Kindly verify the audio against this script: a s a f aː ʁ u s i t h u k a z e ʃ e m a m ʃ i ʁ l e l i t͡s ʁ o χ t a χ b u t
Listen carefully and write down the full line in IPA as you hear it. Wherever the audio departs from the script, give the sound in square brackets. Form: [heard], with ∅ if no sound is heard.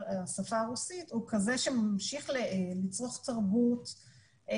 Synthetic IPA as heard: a s a f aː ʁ u s i t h u k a z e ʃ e m a m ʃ i [χ] l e l i t͡s ʁ o χ t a [ʁ] b u t